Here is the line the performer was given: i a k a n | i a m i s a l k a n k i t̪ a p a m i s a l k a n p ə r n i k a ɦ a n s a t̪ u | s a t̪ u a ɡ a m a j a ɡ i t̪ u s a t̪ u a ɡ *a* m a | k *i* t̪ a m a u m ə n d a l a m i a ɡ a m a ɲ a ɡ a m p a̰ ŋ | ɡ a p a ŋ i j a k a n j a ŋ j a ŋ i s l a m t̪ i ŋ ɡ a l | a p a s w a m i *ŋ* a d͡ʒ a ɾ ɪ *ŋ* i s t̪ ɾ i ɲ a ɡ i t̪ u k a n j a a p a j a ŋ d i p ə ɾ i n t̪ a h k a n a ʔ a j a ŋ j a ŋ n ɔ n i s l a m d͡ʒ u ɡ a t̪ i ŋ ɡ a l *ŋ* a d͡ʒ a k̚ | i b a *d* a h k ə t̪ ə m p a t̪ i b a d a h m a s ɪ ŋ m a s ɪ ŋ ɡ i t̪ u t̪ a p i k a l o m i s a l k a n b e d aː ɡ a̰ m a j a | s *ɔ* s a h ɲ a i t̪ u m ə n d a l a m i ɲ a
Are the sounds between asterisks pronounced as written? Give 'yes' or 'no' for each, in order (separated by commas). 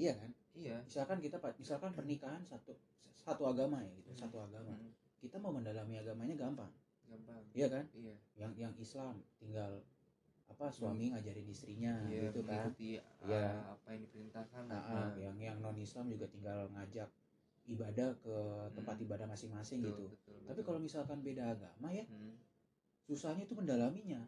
yes, yes, yes, no, yes, yes, no